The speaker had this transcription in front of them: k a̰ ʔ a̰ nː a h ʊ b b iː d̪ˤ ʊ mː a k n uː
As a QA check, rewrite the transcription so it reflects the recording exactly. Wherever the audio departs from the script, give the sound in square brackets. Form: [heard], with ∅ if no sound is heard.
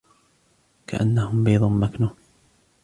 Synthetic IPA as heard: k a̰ ʔ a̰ nː a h ʊ [m] b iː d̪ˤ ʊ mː a k n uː